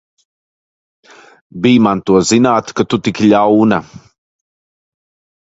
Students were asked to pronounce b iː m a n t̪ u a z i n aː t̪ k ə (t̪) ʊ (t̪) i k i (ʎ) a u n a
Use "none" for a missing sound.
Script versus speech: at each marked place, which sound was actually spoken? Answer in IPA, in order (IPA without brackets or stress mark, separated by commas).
t̪, t̪, ʎ